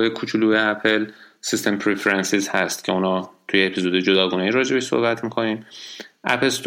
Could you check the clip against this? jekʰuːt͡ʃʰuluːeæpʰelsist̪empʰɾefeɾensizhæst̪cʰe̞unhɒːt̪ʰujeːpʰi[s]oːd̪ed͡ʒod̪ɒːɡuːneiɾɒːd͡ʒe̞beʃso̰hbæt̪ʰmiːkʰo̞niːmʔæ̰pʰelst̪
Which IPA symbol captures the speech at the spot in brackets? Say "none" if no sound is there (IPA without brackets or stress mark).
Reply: z